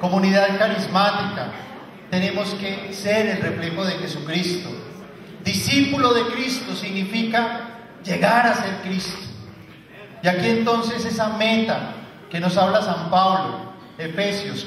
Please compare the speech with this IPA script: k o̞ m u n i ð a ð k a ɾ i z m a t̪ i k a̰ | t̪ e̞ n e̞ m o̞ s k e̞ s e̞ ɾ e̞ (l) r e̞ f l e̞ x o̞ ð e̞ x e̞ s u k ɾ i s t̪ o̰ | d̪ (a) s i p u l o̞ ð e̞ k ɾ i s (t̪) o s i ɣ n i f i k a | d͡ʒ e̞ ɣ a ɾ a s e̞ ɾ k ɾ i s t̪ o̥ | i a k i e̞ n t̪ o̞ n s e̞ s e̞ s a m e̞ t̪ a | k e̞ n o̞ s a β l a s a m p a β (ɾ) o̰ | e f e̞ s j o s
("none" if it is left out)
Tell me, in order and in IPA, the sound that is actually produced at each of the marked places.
l, i, t̪, l

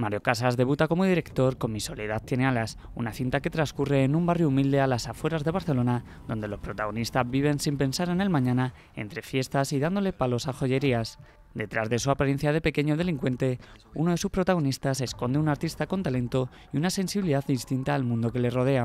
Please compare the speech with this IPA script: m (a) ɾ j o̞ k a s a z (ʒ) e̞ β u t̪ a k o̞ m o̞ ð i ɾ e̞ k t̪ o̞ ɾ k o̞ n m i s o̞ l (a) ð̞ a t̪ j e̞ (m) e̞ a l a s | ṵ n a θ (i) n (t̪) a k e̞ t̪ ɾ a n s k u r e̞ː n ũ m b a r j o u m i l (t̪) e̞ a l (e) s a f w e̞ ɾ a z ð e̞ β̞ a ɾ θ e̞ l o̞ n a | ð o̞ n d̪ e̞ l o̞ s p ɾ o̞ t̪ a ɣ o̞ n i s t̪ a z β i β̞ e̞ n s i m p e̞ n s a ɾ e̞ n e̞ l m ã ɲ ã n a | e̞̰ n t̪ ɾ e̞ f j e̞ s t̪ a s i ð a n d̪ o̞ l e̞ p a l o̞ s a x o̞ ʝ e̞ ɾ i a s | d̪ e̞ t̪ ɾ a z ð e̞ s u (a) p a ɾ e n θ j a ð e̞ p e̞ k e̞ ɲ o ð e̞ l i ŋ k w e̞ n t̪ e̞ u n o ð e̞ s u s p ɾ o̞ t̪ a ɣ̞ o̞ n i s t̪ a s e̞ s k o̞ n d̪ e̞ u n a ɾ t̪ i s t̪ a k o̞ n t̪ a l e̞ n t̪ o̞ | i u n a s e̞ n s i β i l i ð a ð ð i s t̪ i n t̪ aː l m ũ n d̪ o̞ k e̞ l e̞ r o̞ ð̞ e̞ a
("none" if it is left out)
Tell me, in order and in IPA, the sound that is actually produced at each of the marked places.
a, ð, e, n, i, t̪, d̪, a, a

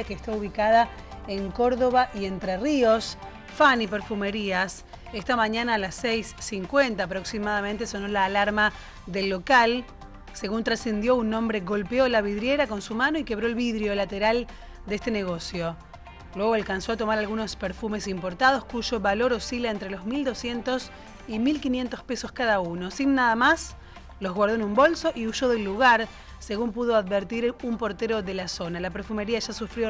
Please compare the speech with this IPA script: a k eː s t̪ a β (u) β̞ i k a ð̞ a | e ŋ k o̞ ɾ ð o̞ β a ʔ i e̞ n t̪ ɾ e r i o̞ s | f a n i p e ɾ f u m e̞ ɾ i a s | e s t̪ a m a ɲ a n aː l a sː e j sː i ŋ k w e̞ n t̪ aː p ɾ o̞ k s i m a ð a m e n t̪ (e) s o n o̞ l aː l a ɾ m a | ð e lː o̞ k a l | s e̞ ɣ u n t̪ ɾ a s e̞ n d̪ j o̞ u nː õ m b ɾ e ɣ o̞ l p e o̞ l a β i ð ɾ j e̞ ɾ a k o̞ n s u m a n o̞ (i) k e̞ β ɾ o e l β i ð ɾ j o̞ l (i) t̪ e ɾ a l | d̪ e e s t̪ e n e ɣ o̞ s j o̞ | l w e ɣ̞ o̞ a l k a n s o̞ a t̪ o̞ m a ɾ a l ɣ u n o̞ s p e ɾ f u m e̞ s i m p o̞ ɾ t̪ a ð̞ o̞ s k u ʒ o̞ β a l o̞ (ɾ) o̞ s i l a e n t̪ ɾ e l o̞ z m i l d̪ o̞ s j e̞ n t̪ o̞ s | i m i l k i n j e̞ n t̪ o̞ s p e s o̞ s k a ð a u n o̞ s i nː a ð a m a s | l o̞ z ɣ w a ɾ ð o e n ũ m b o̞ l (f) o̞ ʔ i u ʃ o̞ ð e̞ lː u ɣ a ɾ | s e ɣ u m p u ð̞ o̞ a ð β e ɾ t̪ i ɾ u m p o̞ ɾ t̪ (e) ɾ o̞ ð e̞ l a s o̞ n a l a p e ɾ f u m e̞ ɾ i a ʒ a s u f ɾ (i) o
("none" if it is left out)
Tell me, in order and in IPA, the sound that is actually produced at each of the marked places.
u, e, i, a, ɾ, s, e, j

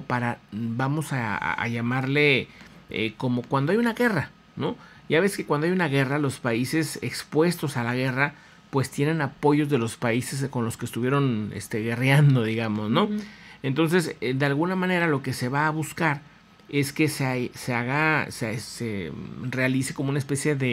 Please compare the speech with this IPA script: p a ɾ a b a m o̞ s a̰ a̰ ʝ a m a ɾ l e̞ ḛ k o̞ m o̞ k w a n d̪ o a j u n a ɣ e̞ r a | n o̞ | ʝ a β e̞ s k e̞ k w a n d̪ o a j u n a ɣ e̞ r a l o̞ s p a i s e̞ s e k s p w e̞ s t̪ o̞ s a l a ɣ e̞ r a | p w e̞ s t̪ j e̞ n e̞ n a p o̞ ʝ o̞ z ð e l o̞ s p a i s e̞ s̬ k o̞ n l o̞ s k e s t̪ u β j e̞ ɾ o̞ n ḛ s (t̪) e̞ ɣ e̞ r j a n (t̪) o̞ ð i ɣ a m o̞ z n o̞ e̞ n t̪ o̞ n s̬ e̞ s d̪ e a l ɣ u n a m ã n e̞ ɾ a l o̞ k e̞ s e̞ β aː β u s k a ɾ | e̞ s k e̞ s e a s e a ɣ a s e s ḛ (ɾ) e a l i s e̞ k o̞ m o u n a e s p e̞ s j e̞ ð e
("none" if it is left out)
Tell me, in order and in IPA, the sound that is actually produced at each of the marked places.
t̪, d̪, r

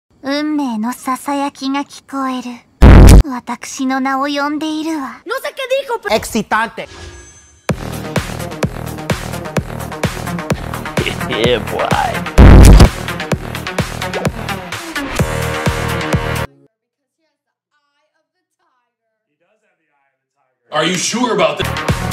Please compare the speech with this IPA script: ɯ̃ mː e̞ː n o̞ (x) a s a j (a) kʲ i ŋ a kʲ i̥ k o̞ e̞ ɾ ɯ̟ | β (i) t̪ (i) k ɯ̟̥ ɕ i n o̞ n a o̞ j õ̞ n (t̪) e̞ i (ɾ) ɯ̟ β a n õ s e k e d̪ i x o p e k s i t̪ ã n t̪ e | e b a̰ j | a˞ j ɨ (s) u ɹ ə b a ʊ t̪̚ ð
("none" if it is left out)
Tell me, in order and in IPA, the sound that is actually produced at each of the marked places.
s, a, a, a, d̪, ɾ, ʃ

